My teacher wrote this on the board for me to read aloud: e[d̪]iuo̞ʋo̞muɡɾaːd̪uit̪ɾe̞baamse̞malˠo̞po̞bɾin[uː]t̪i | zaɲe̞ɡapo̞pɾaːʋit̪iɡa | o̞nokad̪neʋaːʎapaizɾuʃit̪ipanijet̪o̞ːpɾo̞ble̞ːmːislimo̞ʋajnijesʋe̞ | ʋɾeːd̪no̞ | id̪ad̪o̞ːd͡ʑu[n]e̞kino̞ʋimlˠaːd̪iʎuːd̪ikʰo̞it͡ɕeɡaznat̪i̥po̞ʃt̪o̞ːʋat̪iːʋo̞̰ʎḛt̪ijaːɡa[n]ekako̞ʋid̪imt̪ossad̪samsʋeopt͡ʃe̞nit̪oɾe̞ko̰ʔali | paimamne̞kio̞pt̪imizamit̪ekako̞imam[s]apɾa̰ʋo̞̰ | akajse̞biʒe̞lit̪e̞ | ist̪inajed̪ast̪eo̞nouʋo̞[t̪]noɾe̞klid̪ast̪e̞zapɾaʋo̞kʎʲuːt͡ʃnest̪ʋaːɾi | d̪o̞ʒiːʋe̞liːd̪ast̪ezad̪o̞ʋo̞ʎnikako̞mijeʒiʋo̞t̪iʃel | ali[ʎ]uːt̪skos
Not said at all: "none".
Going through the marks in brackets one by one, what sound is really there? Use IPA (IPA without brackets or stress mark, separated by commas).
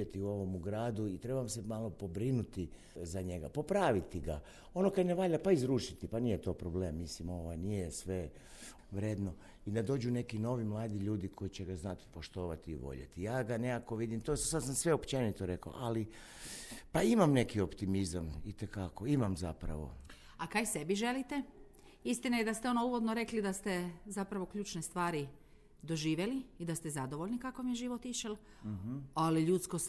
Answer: t̪, u, n, n, z, d̪, ʎ